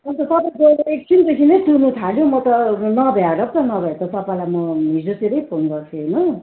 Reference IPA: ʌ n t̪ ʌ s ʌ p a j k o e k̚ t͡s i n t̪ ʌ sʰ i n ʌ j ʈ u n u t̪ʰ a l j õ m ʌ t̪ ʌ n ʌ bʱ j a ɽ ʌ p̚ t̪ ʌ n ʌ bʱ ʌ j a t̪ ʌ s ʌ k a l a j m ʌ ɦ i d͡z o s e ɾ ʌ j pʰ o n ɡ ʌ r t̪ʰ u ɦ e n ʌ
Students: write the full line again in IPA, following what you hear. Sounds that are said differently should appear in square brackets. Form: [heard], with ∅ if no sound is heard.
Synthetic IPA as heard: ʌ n t̪ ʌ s ʌ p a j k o e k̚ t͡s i n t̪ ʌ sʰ i n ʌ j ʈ u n u t̪ʰ a l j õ m ʌ t̪ ʌ n ʌ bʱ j a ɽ ʌ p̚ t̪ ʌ n ʌ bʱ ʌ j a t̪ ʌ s ʌ [p] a l a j m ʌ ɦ i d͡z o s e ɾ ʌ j pʰ o n ɡ ʌ r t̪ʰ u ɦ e n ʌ